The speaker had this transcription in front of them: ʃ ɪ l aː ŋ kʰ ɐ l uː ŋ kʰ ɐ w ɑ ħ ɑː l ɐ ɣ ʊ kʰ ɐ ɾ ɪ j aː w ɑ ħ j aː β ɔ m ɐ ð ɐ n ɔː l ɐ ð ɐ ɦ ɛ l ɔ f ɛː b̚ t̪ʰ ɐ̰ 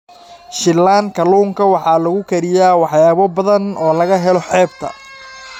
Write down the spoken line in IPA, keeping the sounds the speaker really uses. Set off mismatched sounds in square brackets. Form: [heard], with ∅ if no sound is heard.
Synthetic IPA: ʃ ɪ l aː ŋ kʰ ɐ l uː ŋ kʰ ɐ w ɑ ħ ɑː l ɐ ɣ ʊ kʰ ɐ ɾ ɪ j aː w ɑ ħ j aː β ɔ [b] ɐ ð ɐ n ɔː l ɐ [ɣ] ɐ ɦ ɛ l ɔ [ħ] ɛː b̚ t̪ʰ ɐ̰